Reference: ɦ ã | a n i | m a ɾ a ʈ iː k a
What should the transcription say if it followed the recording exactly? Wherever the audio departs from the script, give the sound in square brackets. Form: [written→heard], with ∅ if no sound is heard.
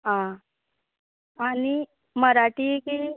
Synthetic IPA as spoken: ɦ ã | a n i | m [a→ə] ɾ a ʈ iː k [a→i]